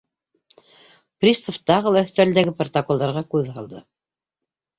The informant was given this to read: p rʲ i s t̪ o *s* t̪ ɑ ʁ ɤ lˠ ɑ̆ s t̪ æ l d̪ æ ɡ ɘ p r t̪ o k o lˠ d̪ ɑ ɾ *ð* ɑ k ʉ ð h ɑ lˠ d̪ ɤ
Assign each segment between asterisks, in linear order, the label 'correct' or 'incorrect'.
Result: incorrect, incorrect

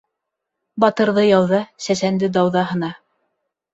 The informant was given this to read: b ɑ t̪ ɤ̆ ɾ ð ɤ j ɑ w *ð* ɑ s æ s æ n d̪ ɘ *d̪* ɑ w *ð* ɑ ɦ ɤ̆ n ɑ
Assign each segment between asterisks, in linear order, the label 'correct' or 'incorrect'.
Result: correct, correct, correct

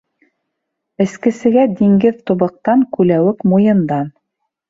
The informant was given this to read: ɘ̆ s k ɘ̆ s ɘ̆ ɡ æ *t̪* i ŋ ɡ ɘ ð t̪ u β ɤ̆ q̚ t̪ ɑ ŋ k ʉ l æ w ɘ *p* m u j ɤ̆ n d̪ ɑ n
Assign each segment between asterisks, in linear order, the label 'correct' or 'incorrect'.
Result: incorrect, incorrect

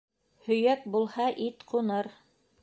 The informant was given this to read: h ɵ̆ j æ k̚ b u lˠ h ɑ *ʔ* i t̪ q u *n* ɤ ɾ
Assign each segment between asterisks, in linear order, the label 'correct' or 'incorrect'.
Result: correct, correct

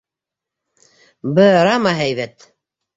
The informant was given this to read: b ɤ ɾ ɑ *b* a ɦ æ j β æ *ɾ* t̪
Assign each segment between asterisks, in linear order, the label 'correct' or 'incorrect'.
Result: incorrect, incorrect

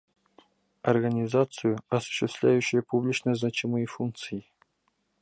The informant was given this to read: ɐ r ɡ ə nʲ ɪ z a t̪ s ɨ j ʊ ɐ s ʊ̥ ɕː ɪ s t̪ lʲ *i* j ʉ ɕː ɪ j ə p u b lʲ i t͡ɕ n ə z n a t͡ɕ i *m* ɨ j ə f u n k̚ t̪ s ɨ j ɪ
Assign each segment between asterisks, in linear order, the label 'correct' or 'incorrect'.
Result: incorrect, correct

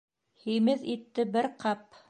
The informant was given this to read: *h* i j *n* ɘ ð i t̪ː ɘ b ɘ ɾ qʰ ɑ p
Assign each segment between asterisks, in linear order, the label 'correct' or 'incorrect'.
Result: correct, incorrect

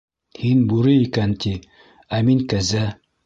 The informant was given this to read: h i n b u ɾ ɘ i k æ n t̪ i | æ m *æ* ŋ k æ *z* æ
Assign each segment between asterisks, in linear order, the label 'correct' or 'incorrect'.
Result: incorrect, correct

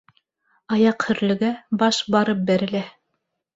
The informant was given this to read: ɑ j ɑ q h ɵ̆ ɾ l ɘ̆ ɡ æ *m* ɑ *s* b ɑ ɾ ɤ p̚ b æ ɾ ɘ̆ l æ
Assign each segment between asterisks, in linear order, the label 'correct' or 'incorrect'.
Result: incorrect, incorrect

